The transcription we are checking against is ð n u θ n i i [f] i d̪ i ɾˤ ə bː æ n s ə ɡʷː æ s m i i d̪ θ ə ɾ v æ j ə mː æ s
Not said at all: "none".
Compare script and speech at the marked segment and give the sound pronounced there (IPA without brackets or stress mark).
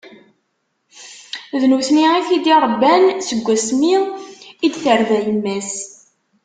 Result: θ